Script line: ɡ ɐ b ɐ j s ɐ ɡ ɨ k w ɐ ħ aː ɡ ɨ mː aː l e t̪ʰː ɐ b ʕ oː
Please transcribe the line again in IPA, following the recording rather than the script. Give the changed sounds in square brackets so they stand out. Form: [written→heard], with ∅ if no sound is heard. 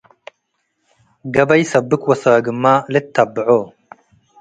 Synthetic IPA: ɡ ɐ b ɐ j s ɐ [ɡ→b] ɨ k w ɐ [ħ→s] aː ɡ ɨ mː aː l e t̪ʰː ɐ b ʕ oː